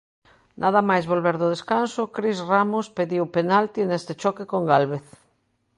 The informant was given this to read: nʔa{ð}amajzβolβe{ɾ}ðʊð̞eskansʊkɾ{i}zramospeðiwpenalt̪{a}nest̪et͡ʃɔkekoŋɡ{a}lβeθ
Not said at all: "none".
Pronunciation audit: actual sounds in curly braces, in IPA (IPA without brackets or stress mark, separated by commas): ð, ɾ, i, i, a